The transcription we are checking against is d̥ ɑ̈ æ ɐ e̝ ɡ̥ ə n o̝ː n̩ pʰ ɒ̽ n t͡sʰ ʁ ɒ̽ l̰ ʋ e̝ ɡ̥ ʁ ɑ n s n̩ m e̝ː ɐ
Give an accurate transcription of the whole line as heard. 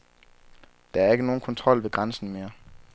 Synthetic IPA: d̥ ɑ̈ æ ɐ e̝ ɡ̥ ə n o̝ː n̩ kʰ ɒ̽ n t͡sʰ ʁ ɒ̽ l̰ ʋ e̝ ɡ̥ ʁ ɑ n s n̩ m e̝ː ɐ